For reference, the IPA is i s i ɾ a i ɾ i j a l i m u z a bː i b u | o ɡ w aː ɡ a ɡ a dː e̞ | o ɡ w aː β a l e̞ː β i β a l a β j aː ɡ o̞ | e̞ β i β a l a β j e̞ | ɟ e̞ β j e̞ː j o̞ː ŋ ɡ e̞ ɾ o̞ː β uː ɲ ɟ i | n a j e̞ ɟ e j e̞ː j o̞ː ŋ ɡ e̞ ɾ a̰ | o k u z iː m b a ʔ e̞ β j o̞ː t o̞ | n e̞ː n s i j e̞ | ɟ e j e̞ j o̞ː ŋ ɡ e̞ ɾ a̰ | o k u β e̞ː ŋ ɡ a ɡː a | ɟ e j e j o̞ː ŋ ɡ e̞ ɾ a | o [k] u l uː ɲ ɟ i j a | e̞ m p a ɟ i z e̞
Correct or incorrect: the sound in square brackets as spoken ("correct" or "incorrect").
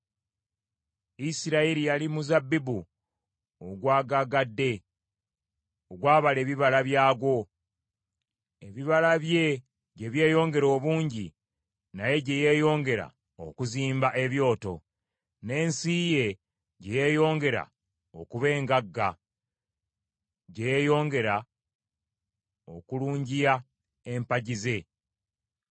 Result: correct